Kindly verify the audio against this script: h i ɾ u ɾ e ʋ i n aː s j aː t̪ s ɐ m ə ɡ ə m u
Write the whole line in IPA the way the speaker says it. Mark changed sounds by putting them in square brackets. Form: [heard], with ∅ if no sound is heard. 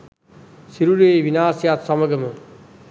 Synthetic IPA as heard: [s] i ɾ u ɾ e ʋ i n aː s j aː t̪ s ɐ m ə ɡ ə m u